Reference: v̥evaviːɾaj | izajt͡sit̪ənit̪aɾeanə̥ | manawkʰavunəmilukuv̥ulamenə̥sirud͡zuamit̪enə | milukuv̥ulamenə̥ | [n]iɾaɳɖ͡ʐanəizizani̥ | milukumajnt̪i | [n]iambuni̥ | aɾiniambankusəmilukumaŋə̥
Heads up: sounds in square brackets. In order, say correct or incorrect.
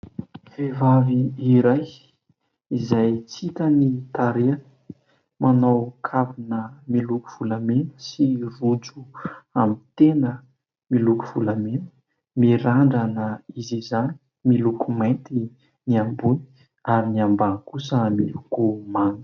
incorrect, correct

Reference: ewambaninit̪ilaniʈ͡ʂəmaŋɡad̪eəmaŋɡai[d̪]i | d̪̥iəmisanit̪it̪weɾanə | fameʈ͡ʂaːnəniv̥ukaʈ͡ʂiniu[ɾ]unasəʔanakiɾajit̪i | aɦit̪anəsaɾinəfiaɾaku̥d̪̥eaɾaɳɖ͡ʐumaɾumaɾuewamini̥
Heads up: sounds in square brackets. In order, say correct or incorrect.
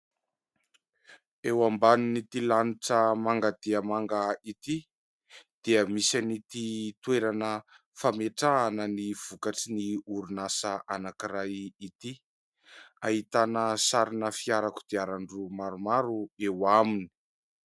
incorrect, correct

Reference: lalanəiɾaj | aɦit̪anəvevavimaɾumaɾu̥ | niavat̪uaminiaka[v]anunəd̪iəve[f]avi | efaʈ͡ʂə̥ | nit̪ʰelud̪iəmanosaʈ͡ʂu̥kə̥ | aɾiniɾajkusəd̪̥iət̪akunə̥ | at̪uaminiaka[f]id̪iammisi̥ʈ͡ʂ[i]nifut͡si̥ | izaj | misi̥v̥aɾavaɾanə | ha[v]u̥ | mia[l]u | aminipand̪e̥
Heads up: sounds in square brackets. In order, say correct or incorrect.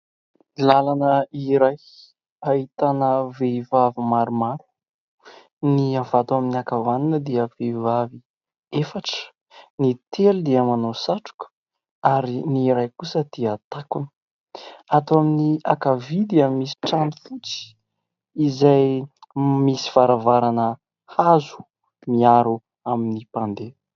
correct, incorrect, incorrect, incorrect, incorrect, incorrect

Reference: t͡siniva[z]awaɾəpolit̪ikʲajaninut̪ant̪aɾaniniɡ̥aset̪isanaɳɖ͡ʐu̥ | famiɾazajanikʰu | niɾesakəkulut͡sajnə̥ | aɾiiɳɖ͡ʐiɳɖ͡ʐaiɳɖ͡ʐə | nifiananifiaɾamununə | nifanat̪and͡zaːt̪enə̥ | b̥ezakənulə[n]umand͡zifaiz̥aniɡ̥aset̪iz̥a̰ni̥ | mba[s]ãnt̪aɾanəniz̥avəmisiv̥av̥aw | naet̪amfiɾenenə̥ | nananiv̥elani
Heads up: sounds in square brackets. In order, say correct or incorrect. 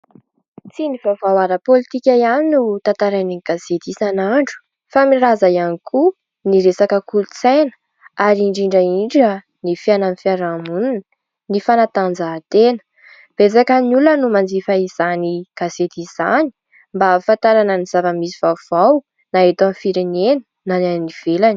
incorrect, correct, incorrect

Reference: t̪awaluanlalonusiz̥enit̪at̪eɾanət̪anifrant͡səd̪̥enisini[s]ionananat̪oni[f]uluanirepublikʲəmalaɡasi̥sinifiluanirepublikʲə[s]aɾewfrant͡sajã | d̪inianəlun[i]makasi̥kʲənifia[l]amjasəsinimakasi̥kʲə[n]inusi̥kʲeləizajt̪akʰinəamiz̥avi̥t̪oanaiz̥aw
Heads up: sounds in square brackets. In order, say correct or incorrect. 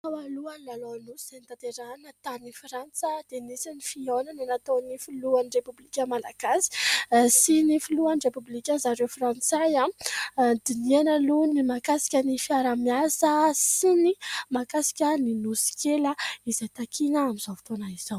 incorrect, correct, incorrect, correct, incorrect, correct

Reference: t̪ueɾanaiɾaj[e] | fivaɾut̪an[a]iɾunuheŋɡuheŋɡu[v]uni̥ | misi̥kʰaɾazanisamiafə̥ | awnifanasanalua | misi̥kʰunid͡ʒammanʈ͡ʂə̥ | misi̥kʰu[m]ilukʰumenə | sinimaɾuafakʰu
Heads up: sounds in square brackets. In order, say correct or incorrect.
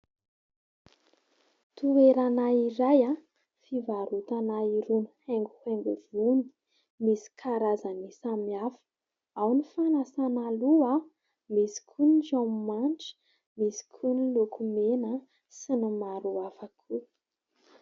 incorrect, correct, correct, incorrect

